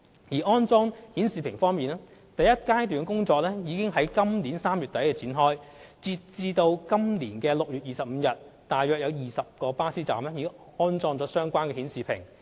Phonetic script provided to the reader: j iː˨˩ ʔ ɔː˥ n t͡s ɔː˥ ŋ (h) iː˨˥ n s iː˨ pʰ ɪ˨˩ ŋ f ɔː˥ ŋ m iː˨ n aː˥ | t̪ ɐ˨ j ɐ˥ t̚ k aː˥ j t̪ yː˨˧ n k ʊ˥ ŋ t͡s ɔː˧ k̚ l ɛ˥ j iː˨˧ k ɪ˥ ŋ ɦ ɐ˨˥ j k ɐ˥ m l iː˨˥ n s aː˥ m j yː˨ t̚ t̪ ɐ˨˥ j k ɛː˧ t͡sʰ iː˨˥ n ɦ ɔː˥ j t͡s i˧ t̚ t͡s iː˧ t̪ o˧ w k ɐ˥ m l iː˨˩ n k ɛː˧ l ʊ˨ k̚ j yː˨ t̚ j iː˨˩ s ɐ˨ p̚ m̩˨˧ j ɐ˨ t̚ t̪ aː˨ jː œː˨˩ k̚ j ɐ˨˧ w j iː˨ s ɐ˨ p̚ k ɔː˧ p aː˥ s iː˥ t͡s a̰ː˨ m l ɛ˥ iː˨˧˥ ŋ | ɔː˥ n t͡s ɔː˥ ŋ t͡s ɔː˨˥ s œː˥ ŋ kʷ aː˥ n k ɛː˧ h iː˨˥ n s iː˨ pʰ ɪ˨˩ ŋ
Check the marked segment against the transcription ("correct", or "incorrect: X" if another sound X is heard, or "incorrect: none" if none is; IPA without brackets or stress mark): correct